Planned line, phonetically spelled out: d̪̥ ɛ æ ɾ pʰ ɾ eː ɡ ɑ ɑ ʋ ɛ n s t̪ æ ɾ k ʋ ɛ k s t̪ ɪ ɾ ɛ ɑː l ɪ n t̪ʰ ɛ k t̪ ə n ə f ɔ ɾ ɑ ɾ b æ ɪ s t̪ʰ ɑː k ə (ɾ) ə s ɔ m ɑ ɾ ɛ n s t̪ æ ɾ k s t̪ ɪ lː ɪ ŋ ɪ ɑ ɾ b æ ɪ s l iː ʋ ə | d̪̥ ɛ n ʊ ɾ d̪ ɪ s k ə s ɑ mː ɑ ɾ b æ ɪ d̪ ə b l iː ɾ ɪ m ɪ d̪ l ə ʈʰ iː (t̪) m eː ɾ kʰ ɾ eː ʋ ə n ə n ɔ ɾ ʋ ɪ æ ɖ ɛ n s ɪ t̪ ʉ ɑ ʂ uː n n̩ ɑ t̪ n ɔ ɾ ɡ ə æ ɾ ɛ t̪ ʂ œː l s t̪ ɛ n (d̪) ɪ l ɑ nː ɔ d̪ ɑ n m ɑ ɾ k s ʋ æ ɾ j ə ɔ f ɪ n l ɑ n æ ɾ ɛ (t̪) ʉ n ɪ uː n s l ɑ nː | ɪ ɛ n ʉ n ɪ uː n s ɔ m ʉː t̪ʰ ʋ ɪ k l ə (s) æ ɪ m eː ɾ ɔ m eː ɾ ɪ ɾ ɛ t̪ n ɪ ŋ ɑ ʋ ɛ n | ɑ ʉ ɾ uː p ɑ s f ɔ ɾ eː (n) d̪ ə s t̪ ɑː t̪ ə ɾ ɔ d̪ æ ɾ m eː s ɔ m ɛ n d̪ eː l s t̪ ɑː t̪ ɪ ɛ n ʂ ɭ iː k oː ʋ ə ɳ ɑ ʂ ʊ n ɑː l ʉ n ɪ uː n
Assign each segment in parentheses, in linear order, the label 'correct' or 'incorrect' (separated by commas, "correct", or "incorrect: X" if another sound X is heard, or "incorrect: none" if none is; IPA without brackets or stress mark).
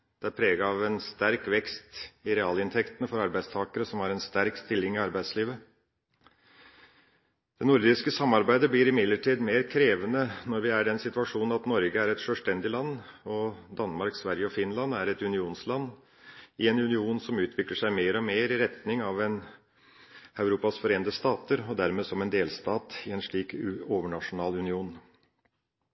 correct, incorrect: d̪, correct, correct, incorrect: ʂ, correct